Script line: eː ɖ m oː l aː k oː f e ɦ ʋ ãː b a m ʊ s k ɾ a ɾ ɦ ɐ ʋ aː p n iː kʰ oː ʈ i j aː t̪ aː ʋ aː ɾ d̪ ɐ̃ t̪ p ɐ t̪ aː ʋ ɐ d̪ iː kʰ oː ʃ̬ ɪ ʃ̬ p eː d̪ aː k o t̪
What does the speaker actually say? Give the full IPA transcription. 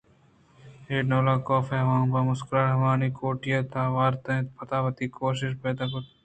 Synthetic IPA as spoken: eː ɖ n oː l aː k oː f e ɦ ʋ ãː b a m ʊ s k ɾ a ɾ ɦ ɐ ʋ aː n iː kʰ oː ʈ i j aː t̪ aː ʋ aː ɾ t̪ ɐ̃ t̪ p ɐ t̪ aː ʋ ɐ t̪ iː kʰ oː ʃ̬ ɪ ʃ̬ p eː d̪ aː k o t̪

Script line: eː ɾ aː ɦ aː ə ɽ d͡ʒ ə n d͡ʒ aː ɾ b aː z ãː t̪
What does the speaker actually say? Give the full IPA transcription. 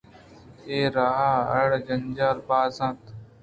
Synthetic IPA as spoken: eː ɾ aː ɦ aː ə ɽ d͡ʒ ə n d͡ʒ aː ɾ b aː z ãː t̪

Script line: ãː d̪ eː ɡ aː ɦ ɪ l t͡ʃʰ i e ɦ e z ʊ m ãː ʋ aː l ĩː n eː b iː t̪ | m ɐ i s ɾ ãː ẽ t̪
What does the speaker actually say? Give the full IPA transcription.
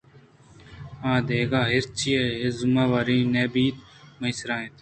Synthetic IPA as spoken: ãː d̪ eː ɡ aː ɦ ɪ ɾ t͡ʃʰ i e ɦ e z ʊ m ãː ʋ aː ɾ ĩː n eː b iː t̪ | m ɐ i s ɾ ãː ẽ t̪

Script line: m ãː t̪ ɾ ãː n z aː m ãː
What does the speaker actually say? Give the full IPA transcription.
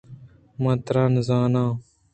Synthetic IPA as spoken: m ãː t̪ ɾ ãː n z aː n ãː

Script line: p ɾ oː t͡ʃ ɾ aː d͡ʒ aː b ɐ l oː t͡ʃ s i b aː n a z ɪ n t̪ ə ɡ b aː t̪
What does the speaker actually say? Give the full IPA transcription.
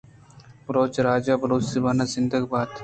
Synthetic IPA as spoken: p ɾ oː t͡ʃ ɾ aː d͡ʒ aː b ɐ ɾ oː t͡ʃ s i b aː n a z ɪ n d̪ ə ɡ b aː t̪

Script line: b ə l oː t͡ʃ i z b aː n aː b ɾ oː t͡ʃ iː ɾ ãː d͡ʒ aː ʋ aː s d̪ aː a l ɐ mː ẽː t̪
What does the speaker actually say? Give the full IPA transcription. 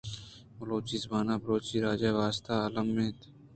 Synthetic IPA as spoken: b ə l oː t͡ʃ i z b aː n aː b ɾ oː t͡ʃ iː ɾ aː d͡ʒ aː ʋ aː s t̪ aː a l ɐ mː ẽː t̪

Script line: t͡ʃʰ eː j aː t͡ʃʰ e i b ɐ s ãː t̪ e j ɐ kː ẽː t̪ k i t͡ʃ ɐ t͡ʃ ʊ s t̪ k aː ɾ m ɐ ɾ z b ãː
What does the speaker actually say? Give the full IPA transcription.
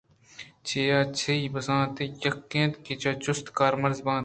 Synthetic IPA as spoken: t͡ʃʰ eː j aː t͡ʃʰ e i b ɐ s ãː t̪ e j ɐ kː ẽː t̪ k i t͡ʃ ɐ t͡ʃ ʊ s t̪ k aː ɾ m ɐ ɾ z b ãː

